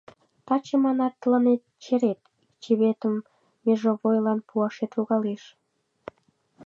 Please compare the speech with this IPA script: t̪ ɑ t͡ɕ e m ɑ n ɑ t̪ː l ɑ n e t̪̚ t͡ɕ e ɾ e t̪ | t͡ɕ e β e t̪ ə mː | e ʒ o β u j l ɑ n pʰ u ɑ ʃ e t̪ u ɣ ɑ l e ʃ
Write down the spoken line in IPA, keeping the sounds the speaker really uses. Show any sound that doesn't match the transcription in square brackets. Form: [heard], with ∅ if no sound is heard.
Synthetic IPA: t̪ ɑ t͡ɕ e m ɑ n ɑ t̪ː l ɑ n e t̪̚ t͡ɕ e ɾ e t̪ | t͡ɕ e β e t̪ ə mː | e ʒ o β [o] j l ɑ n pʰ u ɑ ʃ e t̪ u ɣ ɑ l e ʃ